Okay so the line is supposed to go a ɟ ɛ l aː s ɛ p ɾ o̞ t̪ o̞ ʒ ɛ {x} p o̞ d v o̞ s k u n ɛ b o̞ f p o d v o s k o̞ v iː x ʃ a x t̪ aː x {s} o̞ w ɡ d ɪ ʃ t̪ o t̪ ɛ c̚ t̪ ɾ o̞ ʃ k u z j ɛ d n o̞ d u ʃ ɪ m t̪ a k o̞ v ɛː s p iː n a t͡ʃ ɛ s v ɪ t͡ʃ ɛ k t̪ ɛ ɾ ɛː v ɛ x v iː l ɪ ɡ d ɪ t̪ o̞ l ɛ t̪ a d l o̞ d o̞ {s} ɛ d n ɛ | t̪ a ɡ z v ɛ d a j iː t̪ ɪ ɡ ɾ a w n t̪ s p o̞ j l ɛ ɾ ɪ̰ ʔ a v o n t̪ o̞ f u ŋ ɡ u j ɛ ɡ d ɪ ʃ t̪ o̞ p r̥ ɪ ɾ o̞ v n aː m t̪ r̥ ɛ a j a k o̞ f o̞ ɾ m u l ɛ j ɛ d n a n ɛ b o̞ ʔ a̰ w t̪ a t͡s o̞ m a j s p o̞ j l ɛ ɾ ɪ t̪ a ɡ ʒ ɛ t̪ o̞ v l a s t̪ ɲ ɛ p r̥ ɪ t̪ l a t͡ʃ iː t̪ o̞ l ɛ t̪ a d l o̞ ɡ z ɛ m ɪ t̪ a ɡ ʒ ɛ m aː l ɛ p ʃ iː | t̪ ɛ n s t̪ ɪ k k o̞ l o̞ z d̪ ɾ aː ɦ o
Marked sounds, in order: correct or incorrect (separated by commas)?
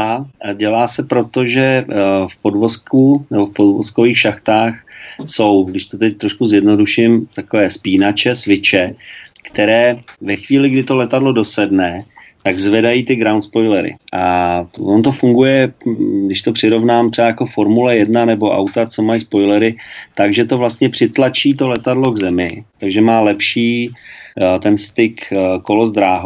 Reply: incorrect, correct, correct